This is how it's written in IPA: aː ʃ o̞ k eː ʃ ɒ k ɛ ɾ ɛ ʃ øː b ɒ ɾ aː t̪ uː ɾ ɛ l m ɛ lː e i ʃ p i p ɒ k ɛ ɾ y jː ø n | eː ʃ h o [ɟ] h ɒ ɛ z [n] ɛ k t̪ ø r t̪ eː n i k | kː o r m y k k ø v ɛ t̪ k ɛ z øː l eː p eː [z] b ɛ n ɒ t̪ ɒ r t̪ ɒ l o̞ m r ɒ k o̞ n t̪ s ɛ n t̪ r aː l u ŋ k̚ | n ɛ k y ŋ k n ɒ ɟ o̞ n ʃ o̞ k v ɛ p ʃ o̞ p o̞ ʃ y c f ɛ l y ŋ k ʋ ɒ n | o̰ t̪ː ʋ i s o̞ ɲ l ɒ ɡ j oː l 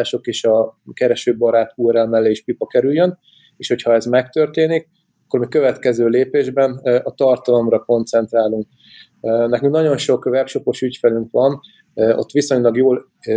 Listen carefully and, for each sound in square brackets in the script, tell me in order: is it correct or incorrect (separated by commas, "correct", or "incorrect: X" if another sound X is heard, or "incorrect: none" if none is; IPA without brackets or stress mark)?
incorrect: c, incorrect: m, incorrect: ʒ